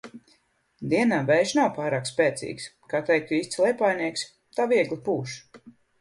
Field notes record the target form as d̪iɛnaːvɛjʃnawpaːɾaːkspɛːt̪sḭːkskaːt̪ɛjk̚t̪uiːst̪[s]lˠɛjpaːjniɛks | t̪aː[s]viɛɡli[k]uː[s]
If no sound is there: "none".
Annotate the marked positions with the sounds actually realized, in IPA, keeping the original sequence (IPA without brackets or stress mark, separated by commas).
s, none, p, ʃ